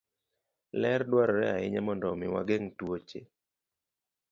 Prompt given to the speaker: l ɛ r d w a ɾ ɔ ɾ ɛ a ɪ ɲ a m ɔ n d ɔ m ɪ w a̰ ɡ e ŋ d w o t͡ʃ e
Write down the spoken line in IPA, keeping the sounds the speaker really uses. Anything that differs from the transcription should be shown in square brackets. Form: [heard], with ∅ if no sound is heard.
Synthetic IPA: l ɛ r d w a ɾ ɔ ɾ ɛ a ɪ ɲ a m ɔ n d ɔ m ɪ w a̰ ɡ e ŋ [t] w o t͡ʃ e